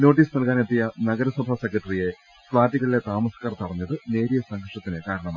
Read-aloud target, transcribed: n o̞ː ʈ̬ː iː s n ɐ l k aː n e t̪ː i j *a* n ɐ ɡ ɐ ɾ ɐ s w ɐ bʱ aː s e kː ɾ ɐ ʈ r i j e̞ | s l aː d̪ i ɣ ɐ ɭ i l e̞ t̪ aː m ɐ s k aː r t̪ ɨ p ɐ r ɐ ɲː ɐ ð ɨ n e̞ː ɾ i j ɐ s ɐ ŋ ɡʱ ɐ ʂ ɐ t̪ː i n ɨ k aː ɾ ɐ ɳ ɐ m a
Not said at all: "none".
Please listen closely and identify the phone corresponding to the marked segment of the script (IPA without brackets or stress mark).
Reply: ɐ